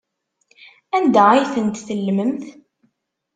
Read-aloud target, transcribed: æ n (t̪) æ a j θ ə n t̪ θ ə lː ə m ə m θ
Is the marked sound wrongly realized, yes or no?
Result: yes